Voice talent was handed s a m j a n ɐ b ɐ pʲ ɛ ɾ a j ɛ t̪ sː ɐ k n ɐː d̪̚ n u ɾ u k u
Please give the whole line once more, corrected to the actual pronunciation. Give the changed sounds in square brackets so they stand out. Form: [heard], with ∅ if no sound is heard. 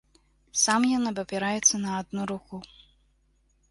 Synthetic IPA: s a m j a n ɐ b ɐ pʲ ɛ ɾ a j ɛ t̪ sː ɐ [∅] n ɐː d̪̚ n u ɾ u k u